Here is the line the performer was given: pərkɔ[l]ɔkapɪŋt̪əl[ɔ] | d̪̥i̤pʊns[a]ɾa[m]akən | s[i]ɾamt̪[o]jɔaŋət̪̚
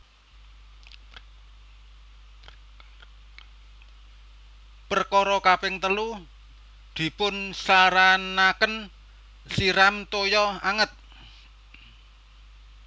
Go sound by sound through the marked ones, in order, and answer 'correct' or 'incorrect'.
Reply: incorrect: ɾ, incorrect: u, correct, incorrect: n, correct, correct

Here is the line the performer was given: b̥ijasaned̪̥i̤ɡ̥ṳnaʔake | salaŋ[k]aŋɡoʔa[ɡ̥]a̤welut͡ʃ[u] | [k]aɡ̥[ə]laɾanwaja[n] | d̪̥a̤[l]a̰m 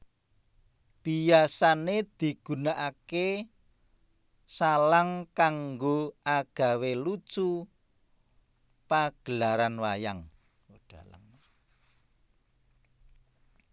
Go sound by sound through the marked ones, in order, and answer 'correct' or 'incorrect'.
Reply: correct, correct, correct, incorrect: p, correct, incorrect: ŋ, correct

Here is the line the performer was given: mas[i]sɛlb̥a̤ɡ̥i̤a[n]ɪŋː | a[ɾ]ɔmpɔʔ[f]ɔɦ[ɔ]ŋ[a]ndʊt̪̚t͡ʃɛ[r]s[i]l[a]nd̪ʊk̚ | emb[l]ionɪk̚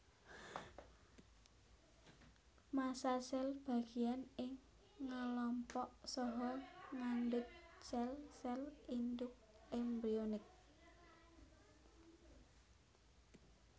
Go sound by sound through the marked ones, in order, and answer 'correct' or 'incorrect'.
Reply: incorrect: a, correct, incorrect: l, incorrect: s, correct, correct, incorrect: l, incorrect: ɛ, incorrect: i, incorrect: ɾ

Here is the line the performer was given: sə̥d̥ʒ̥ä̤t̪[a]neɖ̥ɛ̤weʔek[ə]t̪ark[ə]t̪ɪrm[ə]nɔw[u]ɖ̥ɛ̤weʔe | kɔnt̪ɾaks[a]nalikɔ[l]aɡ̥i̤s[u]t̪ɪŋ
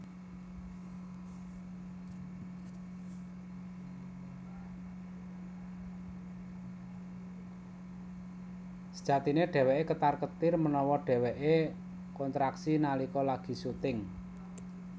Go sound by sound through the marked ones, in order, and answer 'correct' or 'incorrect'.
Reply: incorrect: i, correct, correct, correct, incorrect: ɔ, incorrect: i, correct, correct

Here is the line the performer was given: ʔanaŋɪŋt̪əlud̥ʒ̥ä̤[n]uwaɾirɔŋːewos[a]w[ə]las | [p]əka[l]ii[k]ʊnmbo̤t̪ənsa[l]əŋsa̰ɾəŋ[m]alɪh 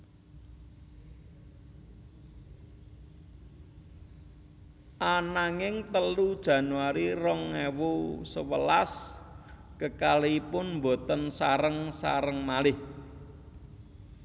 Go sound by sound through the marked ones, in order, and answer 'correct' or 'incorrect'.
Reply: correct, incorrect: ə, correct, incorrect: k, correct, incorrect: p, incorrect: ɾ, correct

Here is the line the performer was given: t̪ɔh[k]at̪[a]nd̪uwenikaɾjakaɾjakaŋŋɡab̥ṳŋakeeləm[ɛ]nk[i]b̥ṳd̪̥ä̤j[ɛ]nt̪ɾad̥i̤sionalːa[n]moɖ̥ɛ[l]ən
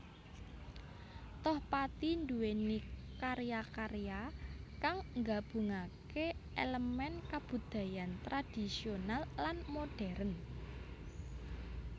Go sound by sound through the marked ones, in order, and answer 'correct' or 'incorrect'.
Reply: incorrect: p, incorrect: i, correct, incorrect: a, incorrect: a, correct, incorrect: ɾ

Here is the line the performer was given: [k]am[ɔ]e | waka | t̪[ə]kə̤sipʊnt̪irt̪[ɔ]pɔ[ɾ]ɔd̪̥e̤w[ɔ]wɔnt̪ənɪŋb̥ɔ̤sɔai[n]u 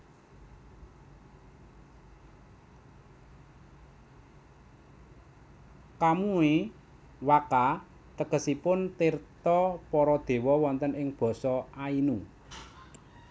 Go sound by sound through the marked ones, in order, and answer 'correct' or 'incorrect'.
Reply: correct, incorrect: u, correct, correct, correct, correct, correct

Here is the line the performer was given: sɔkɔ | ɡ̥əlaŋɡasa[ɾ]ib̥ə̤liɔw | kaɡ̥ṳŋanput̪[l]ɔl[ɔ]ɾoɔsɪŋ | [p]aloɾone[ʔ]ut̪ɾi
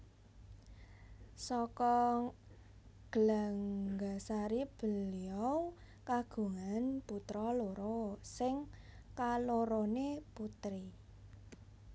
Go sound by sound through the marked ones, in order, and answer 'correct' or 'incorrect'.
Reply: correct, incorrect: ɾ, incorrect: o, incorrect: k, incorrect: p

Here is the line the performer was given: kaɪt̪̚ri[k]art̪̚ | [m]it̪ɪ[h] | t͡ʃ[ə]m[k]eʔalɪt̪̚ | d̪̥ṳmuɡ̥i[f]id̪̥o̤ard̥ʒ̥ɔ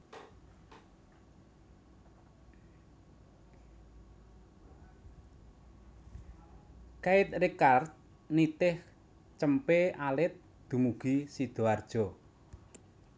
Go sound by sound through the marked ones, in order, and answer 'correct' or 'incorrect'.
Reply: correct, incorrect: n, correct, correct, incorrect: p, incorrect: s

